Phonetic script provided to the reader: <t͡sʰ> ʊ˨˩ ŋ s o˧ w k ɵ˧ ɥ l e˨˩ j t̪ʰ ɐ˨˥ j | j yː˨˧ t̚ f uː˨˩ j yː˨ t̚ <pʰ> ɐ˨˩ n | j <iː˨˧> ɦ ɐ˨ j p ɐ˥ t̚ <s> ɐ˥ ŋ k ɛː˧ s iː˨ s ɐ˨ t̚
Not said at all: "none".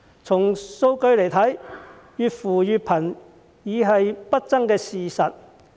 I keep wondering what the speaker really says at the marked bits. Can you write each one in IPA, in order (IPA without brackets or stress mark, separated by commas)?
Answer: t͡sʰ, pʰ, iː˨˧, t͡s